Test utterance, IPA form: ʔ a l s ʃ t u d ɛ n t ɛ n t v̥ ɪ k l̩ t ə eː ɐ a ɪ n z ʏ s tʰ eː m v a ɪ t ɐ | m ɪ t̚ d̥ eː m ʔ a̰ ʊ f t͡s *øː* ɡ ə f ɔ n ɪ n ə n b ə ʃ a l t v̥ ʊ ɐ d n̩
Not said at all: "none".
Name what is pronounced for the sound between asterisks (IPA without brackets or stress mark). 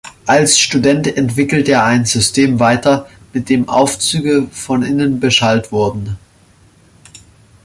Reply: yː